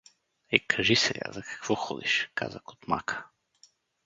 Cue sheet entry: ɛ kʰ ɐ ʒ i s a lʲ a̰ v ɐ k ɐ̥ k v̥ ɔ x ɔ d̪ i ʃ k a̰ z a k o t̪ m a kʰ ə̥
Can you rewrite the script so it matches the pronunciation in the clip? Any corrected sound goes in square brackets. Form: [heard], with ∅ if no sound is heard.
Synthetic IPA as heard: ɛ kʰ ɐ ʒ i s [ɛ] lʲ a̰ [z] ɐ k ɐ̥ k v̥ ɔ x ɔ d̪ i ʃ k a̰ z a k o t̪ m a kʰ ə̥